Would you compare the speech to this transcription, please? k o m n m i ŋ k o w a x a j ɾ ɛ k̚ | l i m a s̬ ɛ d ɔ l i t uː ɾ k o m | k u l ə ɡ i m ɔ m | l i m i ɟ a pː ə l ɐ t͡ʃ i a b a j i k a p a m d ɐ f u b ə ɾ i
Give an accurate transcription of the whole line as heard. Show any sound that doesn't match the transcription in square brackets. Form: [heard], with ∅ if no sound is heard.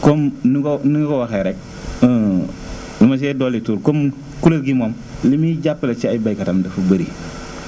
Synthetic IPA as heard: k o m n [n] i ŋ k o w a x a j ɾ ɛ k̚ | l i m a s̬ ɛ d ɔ l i t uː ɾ k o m | k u l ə ɡ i m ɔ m | l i m i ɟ a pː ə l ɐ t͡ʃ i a b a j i k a [t] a m d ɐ f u b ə ɾ i